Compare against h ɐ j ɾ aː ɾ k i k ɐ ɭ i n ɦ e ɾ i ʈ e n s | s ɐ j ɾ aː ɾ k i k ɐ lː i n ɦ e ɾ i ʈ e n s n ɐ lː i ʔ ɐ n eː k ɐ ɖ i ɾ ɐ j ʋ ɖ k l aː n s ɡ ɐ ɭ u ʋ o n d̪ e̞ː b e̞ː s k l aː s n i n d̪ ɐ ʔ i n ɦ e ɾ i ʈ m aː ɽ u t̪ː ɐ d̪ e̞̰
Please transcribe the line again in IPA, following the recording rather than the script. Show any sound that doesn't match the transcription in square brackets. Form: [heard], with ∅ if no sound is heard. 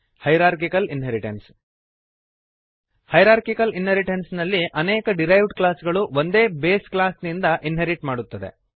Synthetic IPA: h ɐ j ɾ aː ɾ k i k ɐ [l] i n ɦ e ɾ i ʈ e n s | [h] ɐ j ɾ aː ɾ k i k ɐ [l] i n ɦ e ɾ i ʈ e n s n ɐ lː i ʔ ɐ n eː k ɐ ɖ i ɾ ɐ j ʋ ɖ k l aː [∅] s ɡ ɐ ɭ u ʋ o n d̪ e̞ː b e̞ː s k l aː s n i n d̪ ɐ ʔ i n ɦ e ɾ i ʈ m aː ɽ u t̪ː ɐ d̪ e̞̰